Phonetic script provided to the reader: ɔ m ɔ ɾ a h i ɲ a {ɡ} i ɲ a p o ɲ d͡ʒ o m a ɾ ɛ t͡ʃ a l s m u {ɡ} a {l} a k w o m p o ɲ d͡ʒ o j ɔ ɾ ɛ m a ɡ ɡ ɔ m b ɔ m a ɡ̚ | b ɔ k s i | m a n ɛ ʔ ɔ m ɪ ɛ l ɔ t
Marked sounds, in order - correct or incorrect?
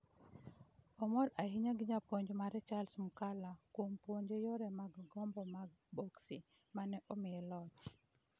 correct, incorrect: k, correct

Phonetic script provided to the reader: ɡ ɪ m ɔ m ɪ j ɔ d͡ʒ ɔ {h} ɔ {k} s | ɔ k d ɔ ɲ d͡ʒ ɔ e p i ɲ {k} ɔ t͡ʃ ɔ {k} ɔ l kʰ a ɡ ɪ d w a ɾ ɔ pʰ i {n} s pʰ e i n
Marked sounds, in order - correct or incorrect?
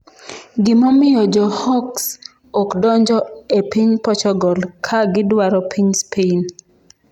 correct, correct, incorrect: p, incorrect: ɡ, incorrect: ɲ

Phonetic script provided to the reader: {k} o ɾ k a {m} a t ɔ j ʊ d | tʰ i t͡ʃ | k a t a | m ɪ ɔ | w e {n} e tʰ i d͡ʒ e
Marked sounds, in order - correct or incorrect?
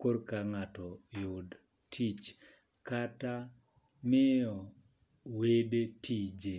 correct, incorrect: ŋ, incorrect: d

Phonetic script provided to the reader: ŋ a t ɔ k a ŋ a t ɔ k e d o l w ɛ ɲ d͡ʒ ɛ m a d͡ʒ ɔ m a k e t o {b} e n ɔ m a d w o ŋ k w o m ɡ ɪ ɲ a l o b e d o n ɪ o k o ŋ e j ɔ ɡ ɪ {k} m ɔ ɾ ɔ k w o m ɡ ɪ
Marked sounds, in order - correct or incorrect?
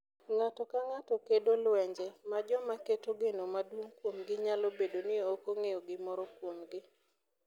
incorrect: ɡ, incorrect: none

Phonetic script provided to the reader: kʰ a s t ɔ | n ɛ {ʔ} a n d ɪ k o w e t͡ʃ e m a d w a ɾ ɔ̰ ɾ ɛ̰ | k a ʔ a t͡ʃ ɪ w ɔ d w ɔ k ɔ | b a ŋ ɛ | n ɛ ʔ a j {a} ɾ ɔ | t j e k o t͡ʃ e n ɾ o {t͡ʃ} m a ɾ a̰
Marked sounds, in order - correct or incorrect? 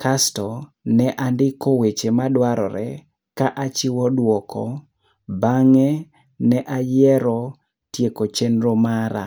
correct, incorrect: ɛ, incorrect: none

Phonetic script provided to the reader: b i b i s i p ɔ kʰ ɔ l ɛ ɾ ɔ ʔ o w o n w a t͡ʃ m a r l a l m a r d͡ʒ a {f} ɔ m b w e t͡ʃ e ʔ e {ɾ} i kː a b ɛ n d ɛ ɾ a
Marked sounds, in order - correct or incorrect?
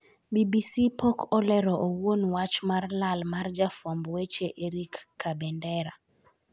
correct, correct

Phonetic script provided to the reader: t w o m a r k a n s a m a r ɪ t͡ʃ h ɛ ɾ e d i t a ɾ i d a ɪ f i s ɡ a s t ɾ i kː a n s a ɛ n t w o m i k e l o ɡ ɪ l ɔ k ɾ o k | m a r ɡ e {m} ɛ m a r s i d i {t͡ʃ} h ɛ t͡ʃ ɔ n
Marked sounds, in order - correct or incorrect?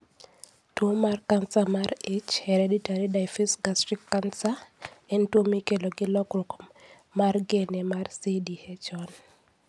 incorrect: n, incorrect: none

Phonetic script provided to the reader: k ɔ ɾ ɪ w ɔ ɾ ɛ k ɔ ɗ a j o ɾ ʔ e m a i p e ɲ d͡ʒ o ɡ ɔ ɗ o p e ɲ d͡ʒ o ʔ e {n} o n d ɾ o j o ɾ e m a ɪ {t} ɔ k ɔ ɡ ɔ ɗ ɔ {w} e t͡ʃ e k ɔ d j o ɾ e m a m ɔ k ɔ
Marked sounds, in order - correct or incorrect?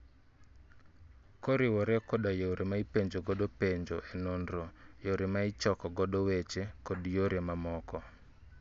correct, incorrect: t͡ʃ, correct

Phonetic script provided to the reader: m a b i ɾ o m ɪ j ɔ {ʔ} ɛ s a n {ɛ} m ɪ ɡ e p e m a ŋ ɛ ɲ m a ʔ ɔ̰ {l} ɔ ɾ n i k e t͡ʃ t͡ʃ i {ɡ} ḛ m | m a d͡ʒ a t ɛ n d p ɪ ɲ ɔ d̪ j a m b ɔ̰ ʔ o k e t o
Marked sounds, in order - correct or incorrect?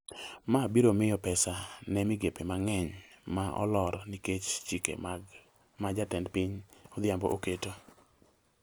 incorrect: p, correct, correct, incorrect: k

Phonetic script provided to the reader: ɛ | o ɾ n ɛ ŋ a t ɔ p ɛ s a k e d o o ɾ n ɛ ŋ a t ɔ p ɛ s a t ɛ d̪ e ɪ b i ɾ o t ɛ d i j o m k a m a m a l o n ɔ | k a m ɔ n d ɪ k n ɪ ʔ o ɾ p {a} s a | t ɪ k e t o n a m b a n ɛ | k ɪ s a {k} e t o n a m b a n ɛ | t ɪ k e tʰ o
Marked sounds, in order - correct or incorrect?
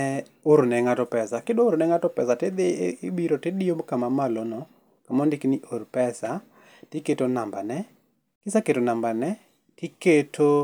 incorrect: ɛ, correct

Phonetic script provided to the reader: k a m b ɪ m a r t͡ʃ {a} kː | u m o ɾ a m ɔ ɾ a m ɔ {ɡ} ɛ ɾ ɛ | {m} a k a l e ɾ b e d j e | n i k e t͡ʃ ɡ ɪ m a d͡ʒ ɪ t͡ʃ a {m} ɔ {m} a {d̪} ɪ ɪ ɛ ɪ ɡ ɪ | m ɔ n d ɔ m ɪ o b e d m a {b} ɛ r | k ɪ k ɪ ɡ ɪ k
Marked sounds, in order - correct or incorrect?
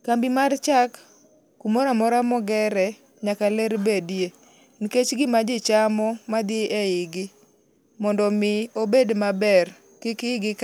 correct, correct, incorrect: ɲ, correct, correct, correct, correct

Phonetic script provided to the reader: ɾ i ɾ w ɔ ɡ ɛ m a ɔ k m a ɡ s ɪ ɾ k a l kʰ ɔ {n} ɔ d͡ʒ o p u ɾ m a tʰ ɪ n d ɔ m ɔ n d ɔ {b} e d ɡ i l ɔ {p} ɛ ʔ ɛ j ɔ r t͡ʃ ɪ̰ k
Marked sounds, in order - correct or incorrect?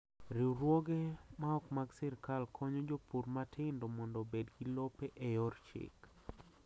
incorrect: ɲ, correct, correct

